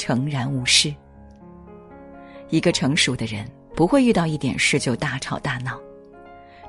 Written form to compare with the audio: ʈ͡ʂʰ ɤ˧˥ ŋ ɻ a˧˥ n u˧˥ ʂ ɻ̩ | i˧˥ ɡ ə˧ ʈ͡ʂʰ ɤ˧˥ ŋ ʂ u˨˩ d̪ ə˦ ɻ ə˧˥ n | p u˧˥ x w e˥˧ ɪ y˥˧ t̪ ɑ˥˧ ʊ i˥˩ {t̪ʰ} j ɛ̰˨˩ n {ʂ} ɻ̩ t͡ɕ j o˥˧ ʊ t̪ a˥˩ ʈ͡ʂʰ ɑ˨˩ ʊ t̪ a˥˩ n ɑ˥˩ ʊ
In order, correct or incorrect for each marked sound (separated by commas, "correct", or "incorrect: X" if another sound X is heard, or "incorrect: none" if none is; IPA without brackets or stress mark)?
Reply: incorrect: t̪, correct